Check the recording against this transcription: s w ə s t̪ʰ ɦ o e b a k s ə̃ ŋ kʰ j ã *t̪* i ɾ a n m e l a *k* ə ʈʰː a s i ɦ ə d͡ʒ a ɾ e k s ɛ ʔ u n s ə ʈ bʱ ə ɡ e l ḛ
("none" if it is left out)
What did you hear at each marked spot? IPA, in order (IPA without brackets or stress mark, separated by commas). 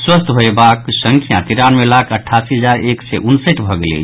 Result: t̪, kʰ